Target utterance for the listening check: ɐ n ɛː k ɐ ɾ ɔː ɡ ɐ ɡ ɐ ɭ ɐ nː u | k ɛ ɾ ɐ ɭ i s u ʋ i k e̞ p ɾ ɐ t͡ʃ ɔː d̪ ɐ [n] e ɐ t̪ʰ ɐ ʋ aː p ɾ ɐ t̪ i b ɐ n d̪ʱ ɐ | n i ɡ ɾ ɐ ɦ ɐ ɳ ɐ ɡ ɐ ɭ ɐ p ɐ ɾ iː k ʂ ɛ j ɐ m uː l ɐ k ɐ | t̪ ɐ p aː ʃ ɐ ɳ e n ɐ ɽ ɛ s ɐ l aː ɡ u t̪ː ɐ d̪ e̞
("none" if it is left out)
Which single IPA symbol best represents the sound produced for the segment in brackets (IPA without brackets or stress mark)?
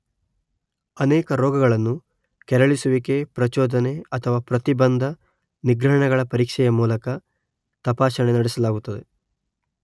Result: n